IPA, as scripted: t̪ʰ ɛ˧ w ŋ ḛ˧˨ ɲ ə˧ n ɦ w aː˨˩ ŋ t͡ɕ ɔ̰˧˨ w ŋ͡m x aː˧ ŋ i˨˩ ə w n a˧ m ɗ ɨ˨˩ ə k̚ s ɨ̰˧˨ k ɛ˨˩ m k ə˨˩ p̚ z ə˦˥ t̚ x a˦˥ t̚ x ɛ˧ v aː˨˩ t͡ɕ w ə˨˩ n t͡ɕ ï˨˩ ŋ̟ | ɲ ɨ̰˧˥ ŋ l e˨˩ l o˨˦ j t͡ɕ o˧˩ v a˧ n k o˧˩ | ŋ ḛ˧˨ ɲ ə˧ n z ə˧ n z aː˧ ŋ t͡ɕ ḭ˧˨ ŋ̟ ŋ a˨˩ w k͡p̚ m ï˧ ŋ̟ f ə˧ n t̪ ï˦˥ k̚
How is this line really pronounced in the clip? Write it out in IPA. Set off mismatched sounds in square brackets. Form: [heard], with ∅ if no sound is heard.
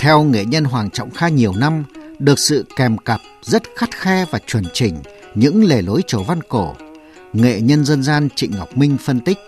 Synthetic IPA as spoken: t̪ʰ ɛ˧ w ŋ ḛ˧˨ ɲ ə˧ n ɦ w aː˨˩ ŋ t͡ɕ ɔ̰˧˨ w ŋ͡m x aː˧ [ɲ] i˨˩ ə w n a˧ m ɗ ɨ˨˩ ə k̚ s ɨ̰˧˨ k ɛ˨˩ m k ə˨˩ p̚ z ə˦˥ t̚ x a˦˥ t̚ x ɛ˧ v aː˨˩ t͡ɕ w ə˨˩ n t͡ɕ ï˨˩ ŋ̟ | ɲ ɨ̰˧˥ ŋ l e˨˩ l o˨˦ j t͡ɕ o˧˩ v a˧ n k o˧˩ | ŋ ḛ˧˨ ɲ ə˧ n z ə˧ n z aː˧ [n] t͡ɕ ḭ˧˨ ŋ̟ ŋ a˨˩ w k͡p̚ m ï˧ ŋ̟ f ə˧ n t̪ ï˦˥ k̚